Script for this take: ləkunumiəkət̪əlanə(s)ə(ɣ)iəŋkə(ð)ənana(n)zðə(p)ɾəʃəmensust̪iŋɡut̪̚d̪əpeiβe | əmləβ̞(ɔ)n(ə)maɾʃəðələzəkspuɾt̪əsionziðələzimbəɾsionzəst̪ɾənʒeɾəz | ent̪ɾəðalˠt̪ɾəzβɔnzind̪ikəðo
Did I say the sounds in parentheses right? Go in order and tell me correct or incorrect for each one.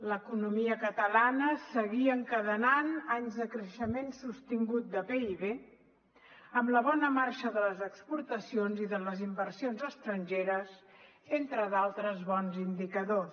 correct, correct, correct, incorrect: ɲ, incorrect: k, correct, correct

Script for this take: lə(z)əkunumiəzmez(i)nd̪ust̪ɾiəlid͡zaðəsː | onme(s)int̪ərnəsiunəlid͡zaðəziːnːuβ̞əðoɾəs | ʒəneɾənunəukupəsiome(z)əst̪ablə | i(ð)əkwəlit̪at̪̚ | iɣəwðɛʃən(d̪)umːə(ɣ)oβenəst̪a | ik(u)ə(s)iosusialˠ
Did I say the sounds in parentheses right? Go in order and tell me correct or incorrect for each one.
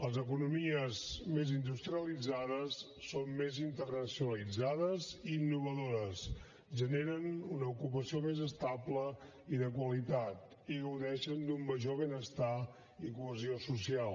correct, correct, incorrect: z, correct, correct, correct, incorrect: ʒ, correct, incorrect: z

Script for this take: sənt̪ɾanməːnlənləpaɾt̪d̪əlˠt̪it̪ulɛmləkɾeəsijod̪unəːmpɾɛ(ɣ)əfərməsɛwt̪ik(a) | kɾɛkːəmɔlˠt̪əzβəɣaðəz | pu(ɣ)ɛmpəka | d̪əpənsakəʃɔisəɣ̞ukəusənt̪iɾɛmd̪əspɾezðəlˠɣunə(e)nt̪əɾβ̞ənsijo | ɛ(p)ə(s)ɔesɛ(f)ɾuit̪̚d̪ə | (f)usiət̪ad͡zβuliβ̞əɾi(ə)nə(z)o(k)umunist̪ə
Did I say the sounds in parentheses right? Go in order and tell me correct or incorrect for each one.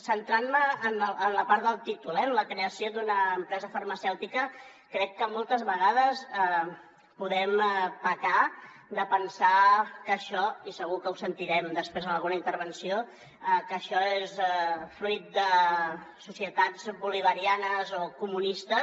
incorrect: z, incorrect: ə, incorrect: ð, incorrect: i, incorrect: k, incorrect: ʃ, correct, incorrect: s, incorrect: a, correct, correct

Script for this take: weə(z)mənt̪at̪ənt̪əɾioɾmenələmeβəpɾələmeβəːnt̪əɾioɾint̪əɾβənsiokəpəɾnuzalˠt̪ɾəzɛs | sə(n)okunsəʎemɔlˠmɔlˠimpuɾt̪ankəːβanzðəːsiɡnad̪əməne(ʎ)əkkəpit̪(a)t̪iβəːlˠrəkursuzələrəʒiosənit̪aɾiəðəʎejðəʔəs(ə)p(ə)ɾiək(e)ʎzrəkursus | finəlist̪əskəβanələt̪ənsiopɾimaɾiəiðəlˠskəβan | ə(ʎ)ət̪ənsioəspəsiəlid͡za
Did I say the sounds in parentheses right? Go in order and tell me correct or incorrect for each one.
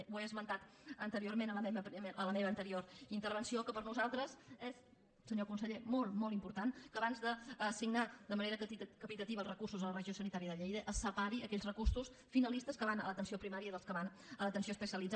correct, incorrect: ɲ, incorrect: ɾ, incorrect: ə, correct, incorrect: a, incorrect: ɛ, incorrect: l

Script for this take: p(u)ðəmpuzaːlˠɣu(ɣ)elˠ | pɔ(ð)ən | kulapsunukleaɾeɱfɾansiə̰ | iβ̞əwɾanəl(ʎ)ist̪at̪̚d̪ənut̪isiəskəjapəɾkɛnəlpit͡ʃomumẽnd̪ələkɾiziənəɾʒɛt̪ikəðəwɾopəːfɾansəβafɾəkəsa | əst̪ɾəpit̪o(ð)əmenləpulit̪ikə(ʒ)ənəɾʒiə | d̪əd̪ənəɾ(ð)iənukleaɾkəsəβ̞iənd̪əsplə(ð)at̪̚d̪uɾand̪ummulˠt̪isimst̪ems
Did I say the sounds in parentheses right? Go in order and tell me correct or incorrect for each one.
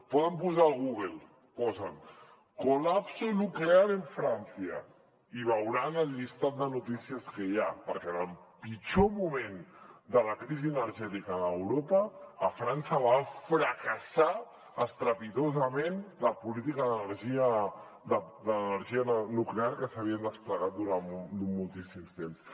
incorrect: ɔ, correct, incorrect: z, correct, incorrect: z, incorrect: ð, incorrect: ʒ, incorrect: ɣ

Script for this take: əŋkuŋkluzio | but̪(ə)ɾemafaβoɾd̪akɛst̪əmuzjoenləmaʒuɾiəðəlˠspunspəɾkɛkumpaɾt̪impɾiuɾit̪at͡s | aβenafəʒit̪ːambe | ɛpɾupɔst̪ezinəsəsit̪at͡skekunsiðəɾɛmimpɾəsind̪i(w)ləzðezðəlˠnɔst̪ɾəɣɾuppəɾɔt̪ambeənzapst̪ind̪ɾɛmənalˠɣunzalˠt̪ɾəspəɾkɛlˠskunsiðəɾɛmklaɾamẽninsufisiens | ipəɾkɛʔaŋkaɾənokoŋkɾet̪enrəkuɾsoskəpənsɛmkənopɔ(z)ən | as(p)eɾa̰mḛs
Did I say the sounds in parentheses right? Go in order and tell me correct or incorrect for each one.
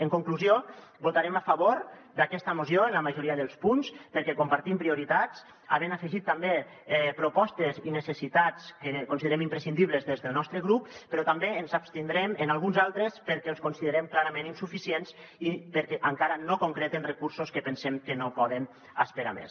incorrect: a, incorrect: β, incorrect: ð, correct

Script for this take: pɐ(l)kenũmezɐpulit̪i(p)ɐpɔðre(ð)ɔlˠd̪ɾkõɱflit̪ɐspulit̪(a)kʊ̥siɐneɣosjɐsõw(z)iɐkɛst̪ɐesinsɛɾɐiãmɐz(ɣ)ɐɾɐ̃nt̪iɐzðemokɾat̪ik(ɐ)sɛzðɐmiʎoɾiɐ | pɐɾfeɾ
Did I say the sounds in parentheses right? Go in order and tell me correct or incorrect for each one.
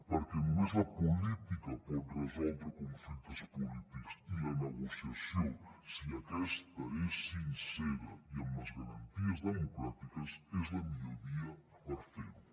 incorrect: ɾ, incorrect: k, incorrect: z, incorrect: i, incorrect: s, correct, correct

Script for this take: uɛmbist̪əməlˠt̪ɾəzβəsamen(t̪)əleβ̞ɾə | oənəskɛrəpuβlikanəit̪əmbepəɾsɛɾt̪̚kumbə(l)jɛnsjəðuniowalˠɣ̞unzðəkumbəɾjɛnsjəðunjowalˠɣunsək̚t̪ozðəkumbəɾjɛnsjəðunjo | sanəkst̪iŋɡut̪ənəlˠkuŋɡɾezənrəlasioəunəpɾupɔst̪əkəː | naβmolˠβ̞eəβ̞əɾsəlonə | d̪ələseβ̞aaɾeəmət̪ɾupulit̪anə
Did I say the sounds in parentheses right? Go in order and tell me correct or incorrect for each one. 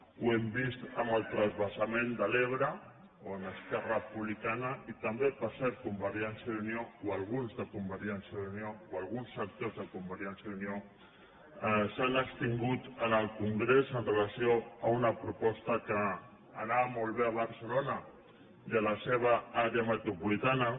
incorrect: d̪, incorrect: ɾ

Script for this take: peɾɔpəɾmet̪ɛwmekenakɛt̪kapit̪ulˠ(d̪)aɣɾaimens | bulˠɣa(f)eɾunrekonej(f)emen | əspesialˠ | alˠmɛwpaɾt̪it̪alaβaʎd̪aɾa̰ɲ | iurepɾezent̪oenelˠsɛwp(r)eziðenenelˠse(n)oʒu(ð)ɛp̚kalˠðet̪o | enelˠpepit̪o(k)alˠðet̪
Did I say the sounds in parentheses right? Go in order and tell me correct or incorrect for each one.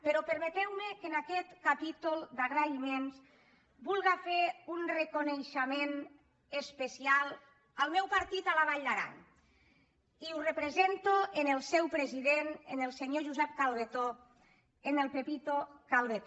correct, correct, incorrect: ʃ, incorrect: ɾ, incorrect: ɲ, incorrect: z, correct

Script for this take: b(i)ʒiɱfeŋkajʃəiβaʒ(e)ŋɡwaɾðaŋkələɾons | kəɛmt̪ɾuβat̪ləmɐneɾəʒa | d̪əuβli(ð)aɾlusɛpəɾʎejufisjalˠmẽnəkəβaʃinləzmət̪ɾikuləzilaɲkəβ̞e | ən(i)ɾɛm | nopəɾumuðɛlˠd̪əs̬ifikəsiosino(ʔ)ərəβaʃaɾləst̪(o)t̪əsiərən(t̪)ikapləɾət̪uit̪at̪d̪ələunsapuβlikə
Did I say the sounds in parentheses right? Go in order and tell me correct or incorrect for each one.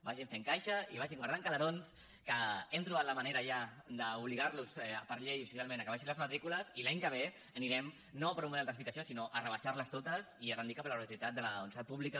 incorrect: a, incorrect: i, incorrect: ɣ, correct, correct, correct, incorrect: d̪

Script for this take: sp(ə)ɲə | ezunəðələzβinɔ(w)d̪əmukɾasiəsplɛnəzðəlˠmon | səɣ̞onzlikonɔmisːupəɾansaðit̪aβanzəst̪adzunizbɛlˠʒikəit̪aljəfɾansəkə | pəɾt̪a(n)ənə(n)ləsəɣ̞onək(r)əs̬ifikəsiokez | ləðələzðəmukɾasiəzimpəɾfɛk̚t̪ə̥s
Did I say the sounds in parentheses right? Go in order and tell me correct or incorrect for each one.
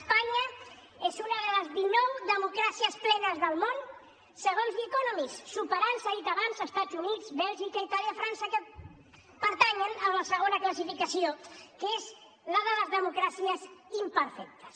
incorrect: a, correct, incorrect: ɲ, incorrect: m, incorrect: l

